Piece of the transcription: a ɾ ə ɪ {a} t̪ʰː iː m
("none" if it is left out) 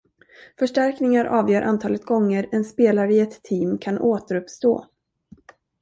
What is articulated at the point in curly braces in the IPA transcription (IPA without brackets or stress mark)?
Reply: ɛ